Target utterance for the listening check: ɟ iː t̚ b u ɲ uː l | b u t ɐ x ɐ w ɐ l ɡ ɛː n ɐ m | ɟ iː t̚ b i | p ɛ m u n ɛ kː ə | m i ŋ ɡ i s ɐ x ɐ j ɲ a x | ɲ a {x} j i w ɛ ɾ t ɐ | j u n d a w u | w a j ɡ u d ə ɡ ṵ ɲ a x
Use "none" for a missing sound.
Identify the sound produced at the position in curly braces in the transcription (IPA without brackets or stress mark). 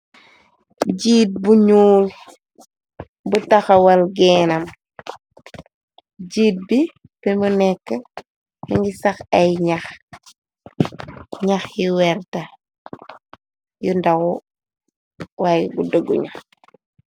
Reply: x